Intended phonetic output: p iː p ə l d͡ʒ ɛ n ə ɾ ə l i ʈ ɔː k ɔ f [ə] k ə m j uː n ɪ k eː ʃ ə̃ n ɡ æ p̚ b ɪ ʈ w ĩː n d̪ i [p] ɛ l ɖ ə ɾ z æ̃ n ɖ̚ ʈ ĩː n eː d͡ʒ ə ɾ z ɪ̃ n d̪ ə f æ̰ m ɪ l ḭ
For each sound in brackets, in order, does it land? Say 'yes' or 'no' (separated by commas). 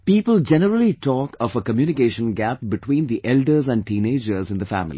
yes, no